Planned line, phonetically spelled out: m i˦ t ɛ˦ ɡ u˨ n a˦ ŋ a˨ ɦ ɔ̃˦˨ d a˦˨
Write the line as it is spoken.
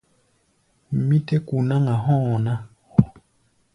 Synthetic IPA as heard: m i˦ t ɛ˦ k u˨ n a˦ ŋ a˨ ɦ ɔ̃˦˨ n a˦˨